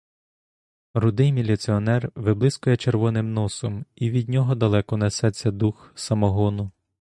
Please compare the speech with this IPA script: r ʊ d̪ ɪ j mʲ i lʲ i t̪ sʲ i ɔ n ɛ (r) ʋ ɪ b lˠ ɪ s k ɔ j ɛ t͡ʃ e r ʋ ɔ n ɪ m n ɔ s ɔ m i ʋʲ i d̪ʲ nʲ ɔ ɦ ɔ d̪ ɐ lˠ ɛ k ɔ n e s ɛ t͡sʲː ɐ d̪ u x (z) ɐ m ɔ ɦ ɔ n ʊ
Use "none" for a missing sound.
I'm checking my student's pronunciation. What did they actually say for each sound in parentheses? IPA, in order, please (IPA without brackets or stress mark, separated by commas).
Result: r, s